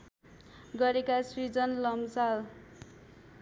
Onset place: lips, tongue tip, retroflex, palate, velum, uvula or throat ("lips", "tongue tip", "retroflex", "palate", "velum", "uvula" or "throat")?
velum